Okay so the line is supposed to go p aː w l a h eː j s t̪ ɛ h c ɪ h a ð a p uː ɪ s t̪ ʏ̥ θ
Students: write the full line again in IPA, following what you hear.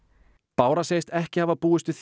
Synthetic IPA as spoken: p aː w ɾ a s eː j s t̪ ɛ h c ɪ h a v a p uː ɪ s t̪ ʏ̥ θ